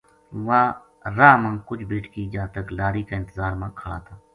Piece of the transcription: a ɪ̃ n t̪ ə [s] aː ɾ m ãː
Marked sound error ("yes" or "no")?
yes